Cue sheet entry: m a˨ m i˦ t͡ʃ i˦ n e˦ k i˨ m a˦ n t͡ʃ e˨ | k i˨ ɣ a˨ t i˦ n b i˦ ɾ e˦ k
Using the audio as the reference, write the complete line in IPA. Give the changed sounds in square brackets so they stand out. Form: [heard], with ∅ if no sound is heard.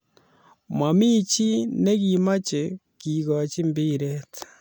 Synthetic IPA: m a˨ m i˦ t͡ʃ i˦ n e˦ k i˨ m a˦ [∅] t͡ʃ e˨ | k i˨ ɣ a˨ [t͡ʃ] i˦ [m] b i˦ ɾ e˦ [t]